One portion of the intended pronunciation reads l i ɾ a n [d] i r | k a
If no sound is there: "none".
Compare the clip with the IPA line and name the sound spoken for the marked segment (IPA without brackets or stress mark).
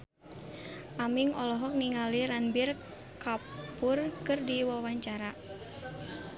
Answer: b